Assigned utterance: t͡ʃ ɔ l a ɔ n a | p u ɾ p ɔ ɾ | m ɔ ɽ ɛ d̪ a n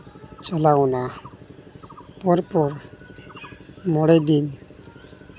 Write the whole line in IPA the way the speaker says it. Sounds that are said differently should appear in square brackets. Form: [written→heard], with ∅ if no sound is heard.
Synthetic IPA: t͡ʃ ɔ l a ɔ n a | p [u→ɔ] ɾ p ɔ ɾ | m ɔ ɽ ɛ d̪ [a→i] n